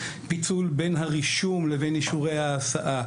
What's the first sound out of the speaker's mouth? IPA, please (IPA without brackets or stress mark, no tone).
p